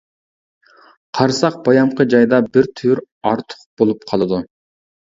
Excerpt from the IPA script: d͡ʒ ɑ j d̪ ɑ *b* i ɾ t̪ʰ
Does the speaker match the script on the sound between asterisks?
yes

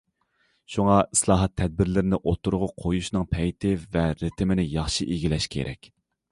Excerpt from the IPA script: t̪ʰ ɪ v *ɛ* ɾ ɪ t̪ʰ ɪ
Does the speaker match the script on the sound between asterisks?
yes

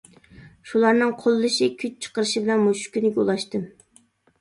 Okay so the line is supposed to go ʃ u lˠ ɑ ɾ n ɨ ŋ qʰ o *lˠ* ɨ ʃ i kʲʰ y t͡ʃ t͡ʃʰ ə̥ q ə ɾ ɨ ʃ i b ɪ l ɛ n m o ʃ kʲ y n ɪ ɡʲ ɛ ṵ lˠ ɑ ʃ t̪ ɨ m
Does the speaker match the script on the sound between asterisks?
no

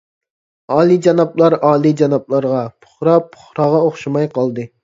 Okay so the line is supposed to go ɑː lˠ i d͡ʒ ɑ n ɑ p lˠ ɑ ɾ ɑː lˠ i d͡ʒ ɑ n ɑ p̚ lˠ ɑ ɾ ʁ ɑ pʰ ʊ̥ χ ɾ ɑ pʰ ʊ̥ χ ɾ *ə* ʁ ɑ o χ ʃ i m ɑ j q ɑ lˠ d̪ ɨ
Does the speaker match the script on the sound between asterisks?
no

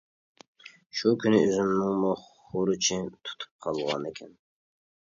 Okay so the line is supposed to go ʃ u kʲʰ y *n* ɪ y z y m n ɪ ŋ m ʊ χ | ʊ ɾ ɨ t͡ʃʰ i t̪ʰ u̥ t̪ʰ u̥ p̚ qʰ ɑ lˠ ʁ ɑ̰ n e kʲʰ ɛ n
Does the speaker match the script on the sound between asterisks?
yes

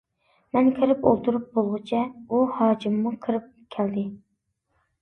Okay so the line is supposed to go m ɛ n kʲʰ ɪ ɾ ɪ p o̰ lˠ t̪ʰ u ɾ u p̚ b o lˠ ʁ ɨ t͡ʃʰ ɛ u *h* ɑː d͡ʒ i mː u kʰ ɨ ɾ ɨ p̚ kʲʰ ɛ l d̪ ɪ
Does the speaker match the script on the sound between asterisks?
yes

